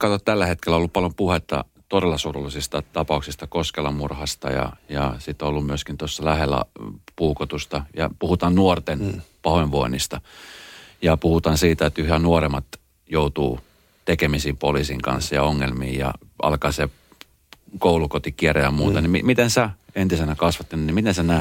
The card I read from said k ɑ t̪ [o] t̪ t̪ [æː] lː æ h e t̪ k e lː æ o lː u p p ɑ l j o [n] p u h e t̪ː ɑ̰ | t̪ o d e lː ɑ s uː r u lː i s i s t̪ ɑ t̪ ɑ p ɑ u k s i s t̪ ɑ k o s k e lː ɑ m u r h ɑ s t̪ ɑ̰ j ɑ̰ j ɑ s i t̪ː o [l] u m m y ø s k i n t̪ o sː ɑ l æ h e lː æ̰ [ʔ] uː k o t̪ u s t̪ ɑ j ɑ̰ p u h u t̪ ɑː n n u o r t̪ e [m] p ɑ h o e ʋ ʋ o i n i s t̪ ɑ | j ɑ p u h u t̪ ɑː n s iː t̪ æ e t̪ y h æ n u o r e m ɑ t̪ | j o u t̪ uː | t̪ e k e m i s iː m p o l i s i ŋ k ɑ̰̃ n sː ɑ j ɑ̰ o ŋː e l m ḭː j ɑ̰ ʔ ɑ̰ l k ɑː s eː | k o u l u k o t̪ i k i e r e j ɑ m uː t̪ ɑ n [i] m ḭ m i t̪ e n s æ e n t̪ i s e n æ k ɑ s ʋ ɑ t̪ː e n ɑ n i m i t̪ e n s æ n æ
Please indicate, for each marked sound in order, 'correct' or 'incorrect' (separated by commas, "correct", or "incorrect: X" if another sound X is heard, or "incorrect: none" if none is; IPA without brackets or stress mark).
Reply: correct, incorrect: æ, incorrect: m, incorrect: lː, incorrect: p, incorrect: n, correct